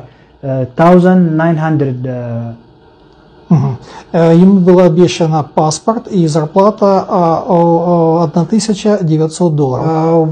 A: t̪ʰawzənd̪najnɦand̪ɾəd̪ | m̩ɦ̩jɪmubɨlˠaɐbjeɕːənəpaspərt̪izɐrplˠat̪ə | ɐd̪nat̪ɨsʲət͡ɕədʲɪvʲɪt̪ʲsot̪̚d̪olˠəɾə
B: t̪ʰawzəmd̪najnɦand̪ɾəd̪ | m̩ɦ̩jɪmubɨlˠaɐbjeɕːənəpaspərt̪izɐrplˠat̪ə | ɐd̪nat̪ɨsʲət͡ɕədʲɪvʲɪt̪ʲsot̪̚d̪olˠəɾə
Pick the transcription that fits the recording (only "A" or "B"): A